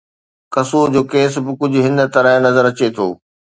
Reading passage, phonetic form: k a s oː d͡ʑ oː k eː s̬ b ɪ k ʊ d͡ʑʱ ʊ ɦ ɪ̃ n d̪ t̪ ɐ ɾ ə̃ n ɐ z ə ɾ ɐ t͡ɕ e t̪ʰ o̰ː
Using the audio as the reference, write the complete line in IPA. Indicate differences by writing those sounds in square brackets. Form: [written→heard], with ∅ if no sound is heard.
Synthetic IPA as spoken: k [a→ɐ] s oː d͡ʑ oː k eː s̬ b ɪ k ʊ d͡ʑʱ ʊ ɦ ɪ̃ n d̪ t̪ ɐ ɾ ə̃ n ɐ z ə ɾ ɐ t͡ɕ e t̪ʰ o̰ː